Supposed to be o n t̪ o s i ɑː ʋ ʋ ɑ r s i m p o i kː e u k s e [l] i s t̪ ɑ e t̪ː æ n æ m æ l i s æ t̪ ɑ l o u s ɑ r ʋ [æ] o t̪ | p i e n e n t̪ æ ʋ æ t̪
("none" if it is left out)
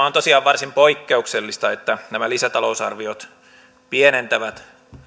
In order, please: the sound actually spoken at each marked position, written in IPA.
lː, i

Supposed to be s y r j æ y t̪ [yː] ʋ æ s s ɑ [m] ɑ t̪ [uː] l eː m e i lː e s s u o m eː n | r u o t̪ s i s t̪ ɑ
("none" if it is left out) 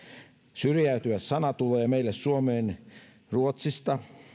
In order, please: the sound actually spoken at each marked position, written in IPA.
y, n, u

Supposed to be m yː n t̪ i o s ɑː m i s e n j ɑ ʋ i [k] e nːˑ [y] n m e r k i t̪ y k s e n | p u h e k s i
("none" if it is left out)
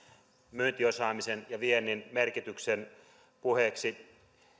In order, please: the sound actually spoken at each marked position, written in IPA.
none, i

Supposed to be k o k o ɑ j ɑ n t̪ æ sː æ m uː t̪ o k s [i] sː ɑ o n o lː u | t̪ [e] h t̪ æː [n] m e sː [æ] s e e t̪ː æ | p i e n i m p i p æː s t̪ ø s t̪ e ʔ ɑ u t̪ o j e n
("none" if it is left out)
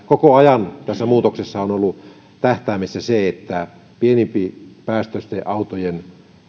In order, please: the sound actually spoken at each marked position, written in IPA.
e, æ, none, æ

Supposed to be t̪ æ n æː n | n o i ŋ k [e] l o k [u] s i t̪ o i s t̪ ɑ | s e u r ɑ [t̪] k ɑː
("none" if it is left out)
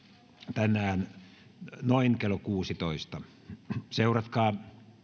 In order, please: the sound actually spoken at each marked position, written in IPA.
e, uː, t̪

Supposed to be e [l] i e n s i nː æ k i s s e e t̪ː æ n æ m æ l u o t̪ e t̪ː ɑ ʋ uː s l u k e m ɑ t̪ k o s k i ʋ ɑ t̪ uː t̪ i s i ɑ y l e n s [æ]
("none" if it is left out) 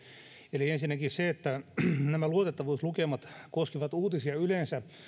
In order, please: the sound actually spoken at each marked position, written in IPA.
l, æ

